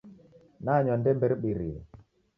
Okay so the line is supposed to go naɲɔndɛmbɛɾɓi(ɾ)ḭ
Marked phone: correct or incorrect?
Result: correct